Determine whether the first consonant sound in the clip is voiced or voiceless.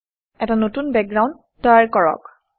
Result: voiceless